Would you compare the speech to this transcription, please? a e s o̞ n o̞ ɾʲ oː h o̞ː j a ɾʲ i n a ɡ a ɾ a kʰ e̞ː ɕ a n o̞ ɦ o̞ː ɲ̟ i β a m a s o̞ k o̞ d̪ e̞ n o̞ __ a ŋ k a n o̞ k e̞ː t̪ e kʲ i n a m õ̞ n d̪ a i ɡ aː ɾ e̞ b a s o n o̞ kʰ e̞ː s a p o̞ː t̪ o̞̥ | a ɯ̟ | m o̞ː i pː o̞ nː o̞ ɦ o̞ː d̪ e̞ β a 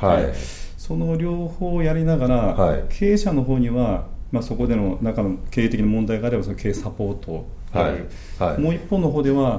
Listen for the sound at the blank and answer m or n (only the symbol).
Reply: n